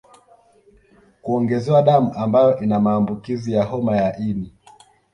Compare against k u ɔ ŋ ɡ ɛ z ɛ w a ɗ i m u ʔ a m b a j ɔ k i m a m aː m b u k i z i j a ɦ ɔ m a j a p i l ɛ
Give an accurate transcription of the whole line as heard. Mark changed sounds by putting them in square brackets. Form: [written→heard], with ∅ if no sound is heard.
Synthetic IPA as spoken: k u ɔ ŋ ɡ ɛ z ɛ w a ɗ [i→a] m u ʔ a m b a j ɔ [k→ʔ] i [m→n] a m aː m b u k i z i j a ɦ ɔ m a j a [p→ʔ] i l [ɛ→i]